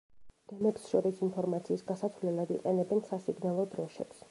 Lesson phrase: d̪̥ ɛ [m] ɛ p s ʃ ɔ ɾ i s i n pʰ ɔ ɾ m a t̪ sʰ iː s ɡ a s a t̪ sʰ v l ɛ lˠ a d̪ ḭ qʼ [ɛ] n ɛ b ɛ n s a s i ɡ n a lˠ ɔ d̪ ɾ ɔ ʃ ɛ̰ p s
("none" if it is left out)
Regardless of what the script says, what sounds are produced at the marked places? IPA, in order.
m, ɛ

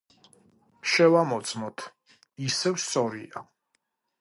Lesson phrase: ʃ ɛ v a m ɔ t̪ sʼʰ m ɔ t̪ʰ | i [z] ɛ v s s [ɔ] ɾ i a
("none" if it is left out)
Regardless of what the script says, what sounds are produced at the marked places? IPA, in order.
s, ɔ

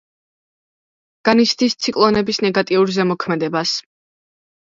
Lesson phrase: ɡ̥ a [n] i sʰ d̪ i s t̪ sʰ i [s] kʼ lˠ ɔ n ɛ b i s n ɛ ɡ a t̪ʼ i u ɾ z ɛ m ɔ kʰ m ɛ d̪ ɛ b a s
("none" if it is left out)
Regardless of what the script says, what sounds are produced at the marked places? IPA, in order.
n, none

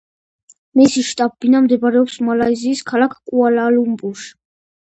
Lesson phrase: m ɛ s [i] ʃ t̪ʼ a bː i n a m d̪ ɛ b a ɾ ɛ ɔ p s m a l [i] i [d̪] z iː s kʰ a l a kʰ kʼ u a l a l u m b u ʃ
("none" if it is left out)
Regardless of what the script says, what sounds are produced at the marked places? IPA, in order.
i, a, none

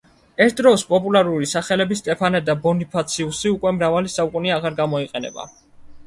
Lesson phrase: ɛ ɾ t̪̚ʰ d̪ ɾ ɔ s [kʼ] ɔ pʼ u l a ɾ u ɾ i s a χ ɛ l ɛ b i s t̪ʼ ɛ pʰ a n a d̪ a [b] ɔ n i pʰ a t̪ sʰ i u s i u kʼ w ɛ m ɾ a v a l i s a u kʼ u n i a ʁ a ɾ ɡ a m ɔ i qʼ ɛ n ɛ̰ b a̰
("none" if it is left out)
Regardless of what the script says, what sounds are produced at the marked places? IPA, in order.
pʼ, b

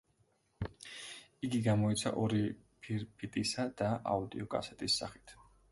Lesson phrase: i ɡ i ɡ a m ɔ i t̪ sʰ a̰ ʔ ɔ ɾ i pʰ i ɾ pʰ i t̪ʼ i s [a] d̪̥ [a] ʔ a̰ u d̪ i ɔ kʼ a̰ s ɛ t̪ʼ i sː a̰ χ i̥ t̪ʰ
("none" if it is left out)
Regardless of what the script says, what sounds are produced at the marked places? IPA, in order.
a, a

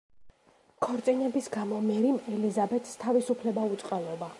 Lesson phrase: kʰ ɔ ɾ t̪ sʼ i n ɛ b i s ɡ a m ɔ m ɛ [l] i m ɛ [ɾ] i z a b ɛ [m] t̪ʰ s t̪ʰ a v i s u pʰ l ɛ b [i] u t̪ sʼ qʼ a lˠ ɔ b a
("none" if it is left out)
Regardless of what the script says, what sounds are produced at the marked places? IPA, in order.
ɾ, l, none, a

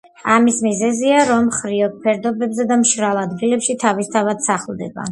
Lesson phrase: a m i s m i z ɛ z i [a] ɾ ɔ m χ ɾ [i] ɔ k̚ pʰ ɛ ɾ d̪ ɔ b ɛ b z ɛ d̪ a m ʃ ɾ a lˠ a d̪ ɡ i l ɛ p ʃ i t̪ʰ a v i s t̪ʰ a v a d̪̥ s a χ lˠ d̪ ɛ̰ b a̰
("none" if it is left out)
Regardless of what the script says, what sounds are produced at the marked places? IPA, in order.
a, i

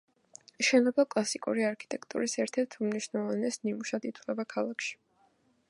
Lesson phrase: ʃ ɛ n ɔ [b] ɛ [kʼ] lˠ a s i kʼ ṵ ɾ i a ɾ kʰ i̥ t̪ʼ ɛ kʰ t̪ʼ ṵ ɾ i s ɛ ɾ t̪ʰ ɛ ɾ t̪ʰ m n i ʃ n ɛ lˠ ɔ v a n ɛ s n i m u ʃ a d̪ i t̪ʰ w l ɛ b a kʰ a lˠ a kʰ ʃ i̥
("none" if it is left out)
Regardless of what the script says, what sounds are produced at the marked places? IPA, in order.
b, kʼ

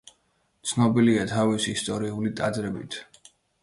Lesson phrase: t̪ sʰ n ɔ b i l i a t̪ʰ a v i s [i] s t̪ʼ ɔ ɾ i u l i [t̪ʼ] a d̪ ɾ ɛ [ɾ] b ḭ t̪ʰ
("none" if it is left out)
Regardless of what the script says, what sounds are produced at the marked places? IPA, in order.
iː, t̪ʼ, none

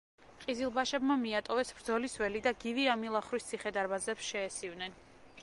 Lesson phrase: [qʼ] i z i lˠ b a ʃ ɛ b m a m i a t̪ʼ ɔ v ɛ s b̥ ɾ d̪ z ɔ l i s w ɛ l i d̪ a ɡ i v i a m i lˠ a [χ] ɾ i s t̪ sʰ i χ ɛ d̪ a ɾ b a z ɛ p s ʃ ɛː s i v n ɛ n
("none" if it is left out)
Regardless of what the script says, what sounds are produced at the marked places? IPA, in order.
qʼ, χ

